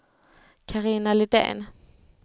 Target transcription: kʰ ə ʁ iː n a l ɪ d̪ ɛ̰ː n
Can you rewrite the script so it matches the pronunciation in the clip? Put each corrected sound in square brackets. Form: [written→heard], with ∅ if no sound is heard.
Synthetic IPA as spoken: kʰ [ə→a] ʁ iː n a l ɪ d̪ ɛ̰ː n